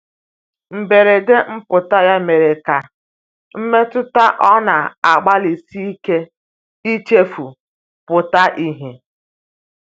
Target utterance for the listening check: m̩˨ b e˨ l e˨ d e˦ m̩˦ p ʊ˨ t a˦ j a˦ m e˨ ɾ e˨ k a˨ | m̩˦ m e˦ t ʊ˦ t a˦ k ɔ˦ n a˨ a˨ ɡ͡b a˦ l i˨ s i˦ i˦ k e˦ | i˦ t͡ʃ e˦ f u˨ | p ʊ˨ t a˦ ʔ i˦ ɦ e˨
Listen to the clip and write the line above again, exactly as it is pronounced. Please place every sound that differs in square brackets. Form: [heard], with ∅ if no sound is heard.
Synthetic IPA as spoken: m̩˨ b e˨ [ɾ] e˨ d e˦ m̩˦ p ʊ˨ t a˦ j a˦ m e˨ ɾ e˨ k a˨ | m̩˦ m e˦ t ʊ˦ t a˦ [ʔ] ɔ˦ n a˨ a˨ ɡ͡b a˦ l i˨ s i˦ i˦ k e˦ | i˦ t͡ʃ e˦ f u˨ | p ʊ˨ t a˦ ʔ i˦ ɦ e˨